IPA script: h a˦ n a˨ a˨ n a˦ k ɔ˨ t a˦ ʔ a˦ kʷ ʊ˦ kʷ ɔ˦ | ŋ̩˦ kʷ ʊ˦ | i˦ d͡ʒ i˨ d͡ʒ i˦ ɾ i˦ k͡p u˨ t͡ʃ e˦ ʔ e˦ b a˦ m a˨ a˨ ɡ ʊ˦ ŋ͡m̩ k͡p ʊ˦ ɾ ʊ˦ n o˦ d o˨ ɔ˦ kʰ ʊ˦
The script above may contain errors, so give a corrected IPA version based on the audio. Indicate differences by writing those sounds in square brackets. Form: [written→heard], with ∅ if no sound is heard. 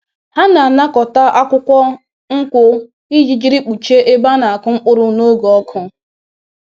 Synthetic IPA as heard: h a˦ n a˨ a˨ n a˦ k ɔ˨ t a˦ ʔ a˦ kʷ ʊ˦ kʷ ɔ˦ | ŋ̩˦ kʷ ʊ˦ | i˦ d͡ʒ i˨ d͡ʒ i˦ ɾ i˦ k͡p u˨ t͡ʃ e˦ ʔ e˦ b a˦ [m→n] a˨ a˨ [ɡ→k] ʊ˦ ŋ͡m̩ k͡p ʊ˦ ɾ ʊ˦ n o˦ [d→ɡ] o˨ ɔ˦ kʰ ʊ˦